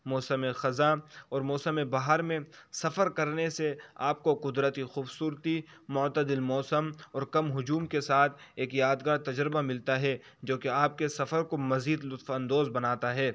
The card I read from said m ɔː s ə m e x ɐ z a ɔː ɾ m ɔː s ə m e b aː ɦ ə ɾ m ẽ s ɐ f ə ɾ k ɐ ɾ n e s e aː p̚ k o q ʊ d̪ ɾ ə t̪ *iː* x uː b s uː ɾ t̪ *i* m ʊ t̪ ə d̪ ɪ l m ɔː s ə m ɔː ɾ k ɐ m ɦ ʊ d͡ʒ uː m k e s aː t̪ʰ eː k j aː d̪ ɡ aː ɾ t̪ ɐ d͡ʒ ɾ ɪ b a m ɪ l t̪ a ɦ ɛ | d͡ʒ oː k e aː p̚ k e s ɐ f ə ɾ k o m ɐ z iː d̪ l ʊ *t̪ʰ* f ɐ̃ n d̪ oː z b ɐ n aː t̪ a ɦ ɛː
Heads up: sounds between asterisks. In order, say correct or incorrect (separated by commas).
incorrect, correct, incorrect